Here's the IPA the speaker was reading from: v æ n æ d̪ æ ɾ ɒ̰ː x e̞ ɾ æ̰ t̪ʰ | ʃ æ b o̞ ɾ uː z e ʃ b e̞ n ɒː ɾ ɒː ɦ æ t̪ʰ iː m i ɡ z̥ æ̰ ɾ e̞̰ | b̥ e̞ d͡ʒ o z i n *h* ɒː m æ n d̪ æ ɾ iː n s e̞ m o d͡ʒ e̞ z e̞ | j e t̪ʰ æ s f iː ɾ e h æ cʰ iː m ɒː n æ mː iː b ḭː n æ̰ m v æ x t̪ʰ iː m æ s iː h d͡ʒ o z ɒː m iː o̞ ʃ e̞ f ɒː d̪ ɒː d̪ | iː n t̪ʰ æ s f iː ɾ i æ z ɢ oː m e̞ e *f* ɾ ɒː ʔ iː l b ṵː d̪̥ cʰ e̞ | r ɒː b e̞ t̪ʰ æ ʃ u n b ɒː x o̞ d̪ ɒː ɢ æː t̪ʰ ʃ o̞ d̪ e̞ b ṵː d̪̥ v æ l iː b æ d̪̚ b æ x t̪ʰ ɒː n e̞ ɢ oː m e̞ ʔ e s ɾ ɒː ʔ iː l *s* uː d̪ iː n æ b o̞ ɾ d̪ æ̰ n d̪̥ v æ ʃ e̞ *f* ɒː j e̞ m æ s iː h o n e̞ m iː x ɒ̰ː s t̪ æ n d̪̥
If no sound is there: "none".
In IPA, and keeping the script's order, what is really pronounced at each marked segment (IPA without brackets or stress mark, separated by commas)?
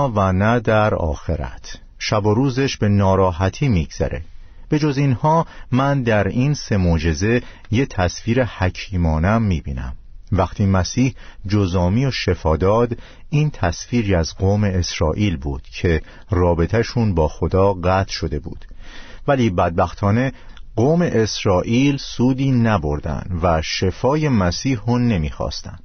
h, s, s, f